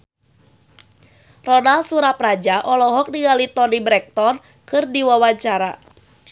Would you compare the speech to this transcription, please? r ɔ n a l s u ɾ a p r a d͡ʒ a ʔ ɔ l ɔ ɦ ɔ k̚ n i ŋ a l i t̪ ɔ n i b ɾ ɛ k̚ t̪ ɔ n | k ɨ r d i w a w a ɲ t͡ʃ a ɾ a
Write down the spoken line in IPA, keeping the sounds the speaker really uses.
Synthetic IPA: r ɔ n a l s u ɾ a p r a d͡ʒ a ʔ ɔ l ɔ ɦ ɔ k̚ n i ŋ a l i t̪ ɔ n i b ɾ ɛ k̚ t̪ ɔ n | k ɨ r d i w a w a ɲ t͡ʃ a ɾ a